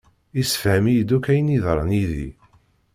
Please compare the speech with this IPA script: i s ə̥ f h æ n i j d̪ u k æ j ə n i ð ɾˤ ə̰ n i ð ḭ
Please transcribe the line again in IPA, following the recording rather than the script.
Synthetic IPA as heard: i s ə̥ f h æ m i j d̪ u k æ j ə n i ð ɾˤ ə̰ n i ð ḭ